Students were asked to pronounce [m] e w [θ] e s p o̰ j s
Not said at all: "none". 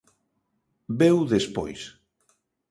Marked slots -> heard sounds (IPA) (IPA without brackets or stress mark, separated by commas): b, ð